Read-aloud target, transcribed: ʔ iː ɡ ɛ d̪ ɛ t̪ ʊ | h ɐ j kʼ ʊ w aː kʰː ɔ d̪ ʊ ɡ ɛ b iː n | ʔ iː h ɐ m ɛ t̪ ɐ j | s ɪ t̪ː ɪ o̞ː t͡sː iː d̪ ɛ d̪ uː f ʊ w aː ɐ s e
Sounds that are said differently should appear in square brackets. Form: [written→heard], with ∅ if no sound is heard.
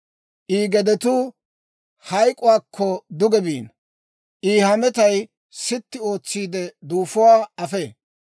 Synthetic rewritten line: ʔ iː ɡ ɛ d̪ ɛ t̪ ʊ | h ɐ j kʼ ʊ w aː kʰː ɔ d̪ ʊ ɡ ɛ b iː n | ʔ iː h ɐ m ɛ t̪ ɐ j | s ɪ t̪ː ɪ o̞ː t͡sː iː d̪ ɛ d̪ uː f ʊ w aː ɐ [s→f] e

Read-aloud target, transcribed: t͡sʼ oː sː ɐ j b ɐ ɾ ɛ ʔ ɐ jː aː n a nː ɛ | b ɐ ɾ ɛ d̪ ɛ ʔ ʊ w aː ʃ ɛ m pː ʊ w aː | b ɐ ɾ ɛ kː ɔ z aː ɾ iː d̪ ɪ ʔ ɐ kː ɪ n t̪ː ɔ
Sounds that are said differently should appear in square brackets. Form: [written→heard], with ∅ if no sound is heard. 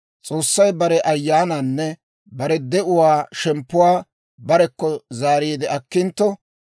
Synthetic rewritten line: t͡sʼ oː sː ɐ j b ɐ ɾ ɛ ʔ ɐ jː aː n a nː ɛ | b ɐ ɾ ɛ d̪ ɛ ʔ ʊ w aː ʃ ɛ m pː ʊ w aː | b ɐ ɾ ɛ kː ɔ z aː ɾ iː d̪ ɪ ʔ ɐ kː ɪ n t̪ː ɔ

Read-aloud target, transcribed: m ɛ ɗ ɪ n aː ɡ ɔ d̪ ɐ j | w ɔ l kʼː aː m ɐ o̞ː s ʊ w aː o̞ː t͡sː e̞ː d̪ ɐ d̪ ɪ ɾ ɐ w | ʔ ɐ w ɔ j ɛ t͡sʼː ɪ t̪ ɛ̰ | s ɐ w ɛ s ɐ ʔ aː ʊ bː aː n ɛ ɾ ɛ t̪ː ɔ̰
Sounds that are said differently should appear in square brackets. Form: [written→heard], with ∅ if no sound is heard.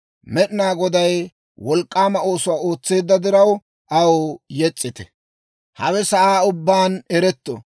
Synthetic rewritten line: m ɛ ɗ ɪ n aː ɡ ɔ d̪ ɐ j | w ɔ l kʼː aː m ɐ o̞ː s ʊ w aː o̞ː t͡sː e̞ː [d̪→d̪ː] ɐ d̪ ɪ ɾ ɐ w | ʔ ɐ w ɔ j ɛ t͡sʼː ɪ t̪ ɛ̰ | [s→h] ɐ w ɛ s ɐ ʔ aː ʊ bː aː n ɛ ɾ ɛ t̪ː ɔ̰

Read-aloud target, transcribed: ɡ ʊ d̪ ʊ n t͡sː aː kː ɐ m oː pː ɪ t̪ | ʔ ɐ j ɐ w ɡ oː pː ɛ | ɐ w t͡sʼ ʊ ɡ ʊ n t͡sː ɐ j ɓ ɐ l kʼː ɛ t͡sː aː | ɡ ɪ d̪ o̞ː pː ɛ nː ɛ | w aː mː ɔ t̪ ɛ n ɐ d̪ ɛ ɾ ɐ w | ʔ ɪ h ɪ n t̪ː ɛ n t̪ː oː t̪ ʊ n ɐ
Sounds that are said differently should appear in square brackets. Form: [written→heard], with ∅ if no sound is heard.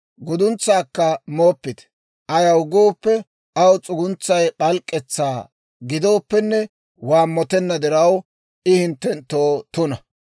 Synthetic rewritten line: ɡ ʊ d̪ ʊ n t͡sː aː kː ɐ m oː pː ɪ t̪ | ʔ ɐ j ɐ w ɡ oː pː ɛ | ɐ w t͡sʼ ʊ ɡ ʊ n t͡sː ɐ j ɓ ɐ l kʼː ɛ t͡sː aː | ɡ ɪ d̪ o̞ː pː ɛ nː ɛ | w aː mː ɔ t̪ ɛ [n→nː] ɐ d̪ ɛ ɾ ɐ w | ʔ ɪ h ɪ n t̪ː ɛ n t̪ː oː t̪ ʊ n ɐ

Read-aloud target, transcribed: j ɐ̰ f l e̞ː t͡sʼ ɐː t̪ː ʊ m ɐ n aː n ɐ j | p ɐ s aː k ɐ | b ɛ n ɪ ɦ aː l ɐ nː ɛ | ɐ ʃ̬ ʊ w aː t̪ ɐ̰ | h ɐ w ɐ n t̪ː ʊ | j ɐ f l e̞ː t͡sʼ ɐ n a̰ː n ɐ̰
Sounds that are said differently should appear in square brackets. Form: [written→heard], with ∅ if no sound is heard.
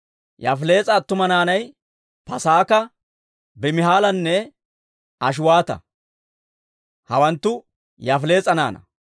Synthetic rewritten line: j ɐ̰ f l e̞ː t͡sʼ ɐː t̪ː ʊ m ɐ n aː n ɐ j | p ɐ s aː k ɐ | b ɛ [n→m] ɪ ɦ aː l ɐ nː ɛ | ɐ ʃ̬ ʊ w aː t̪ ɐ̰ | h ɐ w ɐ n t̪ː ʊ | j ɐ f l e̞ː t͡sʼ ɐ n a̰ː n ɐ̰

